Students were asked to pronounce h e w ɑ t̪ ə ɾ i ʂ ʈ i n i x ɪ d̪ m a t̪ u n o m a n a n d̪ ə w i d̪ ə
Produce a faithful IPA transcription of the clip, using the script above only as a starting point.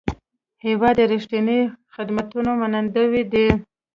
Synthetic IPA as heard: h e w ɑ d̪ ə ɾ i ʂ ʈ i n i x ɪ d̪ m a t̪ u n o m a n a n d̪ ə w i d̪ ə